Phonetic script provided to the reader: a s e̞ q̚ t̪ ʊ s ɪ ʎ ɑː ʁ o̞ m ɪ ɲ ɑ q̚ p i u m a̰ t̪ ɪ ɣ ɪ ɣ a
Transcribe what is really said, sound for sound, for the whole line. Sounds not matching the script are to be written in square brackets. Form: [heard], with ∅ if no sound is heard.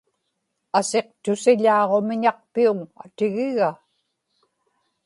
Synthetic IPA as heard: a s e̞ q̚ t̪ ʊ s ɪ ʎ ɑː ʁ o̞ m ɪ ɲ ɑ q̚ p i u [ŋ] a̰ t̪ ɪ ɣ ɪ ɣ a